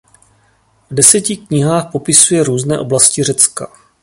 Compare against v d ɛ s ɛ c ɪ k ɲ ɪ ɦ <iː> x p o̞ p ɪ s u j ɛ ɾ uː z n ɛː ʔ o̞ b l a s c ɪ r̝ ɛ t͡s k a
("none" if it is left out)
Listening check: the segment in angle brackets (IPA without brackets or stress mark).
aː